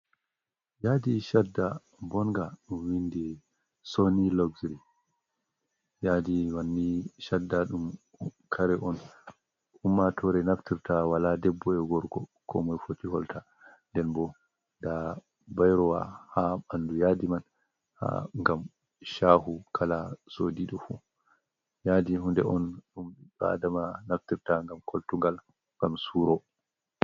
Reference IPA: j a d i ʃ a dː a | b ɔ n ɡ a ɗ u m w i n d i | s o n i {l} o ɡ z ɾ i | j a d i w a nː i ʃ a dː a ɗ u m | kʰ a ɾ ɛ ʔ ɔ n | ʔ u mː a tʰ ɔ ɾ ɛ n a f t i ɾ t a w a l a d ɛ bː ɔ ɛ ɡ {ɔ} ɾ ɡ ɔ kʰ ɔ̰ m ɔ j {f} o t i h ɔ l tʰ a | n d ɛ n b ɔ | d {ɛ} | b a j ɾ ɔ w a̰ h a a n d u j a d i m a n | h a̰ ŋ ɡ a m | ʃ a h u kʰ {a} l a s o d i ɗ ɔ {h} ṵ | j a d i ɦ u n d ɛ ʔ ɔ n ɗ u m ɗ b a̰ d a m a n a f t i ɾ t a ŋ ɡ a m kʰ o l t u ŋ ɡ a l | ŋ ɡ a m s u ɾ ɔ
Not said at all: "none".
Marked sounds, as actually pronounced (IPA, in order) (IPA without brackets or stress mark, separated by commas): l, ɔ, f, a, a, f